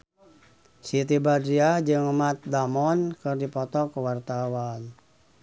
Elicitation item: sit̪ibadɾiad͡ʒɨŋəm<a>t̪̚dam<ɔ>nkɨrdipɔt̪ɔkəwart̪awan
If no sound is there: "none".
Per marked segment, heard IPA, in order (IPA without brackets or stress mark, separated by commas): a, ɔ